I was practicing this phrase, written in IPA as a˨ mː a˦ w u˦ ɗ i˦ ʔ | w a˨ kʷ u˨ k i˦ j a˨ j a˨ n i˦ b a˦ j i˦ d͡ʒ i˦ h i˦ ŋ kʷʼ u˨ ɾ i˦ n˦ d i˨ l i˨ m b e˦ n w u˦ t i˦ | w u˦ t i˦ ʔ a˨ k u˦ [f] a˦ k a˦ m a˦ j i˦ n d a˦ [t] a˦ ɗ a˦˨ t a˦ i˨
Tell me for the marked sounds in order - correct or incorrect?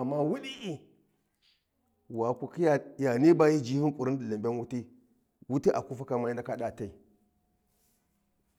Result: correct, incorrect: k

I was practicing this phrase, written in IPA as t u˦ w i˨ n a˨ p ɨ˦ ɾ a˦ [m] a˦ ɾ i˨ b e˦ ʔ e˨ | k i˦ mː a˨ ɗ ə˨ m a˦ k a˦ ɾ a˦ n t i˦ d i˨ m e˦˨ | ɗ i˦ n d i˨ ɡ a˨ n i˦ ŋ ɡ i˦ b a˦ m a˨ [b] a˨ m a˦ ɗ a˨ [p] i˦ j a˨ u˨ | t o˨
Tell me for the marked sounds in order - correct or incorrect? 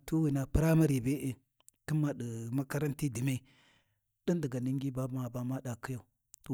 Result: correct, correct, incorrect: k

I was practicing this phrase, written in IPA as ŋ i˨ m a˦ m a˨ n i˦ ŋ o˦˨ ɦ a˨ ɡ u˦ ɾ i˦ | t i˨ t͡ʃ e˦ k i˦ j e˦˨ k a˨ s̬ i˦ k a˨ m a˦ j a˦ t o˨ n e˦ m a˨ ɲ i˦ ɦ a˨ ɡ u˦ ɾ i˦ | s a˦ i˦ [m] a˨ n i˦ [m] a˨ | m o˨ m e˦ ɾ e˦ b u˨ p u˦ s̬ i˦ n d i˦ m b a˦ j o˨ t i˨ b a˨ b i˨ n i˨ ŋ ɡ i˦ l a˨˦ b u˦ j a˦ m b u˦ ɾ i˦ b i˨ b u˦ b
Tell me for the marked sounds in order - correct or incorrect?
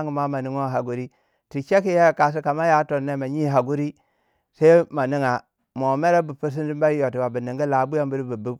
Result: correct, incorrect: ŋ

